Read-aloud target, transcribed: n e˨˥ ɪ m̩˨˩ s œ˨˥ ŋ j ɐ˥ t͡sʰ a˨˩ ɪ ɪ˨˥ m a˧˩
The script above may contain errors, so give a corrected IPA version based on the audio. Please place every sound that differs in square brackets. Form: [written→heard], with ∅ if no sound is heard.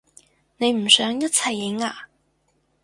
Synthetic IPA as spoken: n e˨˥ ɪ m̩˨˩ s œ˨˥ ŋ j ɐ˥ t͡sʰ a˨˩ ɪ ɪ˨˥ [m→ŋ] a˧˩